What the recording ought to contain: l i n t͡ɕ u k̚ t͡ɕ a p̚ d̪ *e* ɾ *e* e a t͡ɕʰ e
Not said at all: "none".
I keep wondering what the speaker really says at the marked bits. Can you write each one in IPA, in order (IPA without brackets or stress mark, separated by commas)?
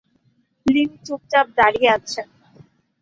a, i